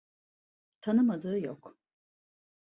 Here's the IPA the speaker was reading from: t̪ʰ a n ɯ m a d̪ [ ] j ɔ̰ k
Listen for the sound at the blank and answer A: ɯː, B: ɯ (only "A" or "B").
A